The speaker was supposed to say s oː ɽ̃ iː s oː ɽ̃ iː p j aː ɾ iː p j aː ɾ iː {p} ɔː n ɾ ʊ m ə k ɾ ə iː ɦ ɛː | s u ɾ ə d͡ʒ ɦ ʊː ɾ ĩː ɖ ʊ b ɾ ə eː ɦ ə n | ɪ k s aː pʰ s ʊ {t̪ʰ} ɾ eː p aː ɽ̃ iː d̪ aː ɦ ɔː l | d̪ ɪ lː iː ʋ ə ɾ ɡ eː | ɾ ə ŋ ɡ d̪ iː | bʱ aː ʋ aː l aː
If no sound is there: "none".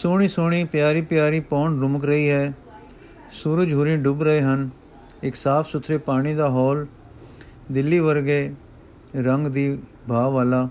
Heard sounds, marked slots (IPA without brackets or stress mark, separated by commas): p, t̪ʰ